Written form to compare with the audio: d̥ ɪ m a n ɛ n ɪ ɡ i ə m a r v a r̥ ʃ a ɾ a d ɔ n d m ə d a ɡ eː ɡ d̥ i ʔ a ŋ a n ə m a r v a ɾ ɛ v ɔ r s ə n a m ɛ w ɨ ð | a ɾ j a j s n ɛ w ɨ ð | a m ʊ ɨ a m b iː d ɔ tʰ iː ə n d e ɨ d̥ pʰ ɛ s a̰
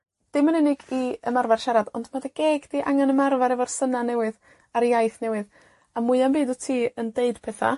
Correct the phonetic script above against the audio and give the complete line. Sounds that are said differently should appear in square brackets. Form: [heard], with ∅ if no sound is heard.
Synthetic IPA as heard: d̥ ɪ m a n ɛ n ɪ ɡ i ə m a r v a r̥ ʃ a ɾ a d ɔ n d m [a] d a ɡ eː ɡ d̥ i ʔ a ŋ a n ə m a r v a ɾ ɛ v ɔ r s ə n a [n] ɛ w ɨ ð | a ɾ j a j [θ] n ɛ w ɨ ð | a m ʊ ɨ a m b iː d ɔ tʰ iː ə n d e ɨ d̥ pʰ ɛ [θ] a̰